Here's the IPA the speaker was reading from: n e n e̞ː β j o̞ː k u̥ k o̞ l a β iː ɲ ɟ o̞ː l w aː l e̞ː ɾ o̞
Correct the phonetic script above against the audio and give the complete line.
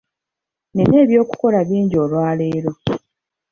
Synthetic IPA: n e n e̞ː β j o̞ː k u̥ k o̞ l a β iː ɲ ɟ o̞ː l w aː l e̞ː ɾ o̞